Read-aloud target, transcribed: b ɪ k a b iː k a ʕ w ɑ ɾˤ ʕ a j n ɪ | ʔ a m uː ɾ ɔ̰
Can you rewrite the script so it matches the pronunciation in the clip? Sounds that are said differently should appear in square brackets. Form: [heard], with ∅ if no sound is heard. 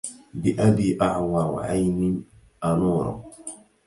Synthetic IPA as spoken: b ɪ [ʔ] a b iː [ʔ] a ʕ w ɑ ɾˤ ʕ a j n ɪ | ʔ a [n] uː ɾ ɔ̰